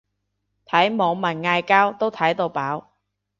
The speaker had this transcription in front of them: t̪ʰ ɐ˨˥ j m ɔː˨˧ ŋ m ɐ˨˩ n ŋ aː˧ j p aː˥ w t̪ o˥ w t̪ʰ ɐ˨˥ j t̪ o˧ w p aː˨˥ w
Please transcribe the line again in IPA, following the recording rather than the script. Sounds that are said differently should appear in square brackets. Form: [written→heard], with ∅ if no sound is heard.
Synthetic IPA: t̪ʰ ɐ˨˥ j m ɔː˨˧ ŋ m ɐ˨˩ n ŋ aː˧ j [p→k] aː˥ w t̪ o˥ w t̪ʰ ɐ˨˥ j t̪ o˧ w p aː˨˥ w